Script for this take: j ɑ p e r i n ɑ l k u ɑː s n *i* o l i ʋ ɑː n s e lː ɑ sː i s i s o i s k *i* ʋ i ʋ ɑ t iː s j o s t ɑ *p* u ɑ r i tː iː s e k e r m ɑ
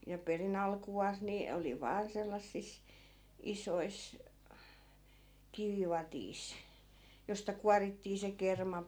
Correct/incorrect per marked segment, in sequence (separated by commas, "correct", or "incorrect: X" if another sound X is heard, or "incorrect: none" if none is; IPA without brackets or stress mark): correct, correct, incorrect: k